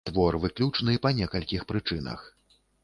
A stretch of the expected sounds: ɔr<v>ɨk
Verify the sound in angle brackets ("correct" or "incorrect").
correct